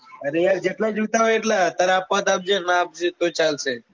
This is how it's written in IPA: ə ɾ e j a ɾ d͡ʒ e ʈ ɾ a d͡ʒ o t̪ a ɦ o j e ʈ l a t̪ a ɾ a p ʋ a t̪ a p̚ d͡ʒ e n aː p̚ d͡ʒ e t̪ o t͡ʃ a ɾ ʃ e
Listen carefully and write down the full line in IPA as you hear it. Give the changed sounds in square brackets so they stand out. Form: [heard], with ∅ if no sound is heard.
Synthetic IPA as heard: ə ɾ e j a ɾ d͡ʒ e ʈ [l] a d͡ʒ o t̪ a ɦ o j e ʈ l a t̪ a ɾ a p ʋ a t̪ a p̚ d͡ʒ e n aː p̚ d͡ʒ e t̪ o t͡ʃ a [l] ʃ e